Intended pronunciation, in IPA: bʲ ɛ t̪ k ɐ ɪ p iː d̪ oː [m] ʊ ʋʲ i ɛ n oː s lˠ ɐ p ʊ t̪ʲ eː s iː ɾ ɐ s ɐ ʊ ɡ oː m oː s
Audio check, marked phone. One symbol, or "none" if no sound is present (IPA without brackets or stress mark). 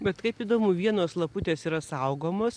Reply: m